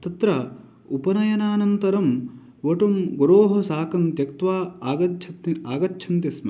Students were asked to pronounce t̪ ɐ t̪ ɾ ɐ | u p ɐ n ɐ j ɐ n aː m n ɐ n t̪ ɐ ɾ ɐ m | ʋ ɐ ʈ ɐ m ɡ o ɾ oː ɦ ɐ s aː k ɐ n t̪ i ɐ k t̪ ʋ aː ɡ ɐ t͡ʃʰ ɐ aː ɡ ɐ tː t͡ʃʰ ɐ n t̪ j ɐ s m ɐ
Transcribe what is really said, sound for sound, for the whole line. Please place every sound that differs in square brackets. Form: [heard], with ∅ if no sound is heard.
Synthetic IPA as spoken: t̪ ɐ t̪ ɾ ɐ | u p ɐ n ɐ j ɐ n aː [∅] n ɐ n t̪ ɐ ɾ ɐ m | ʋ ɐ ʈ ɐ m ɡ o ɾ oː ɦ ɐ s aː k ɐ n t̪ [j] ɐ k t̪ ʋ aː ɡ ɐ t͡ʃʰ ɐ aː ɡ ɐ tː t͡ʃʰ ɐ n t̪ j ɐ s m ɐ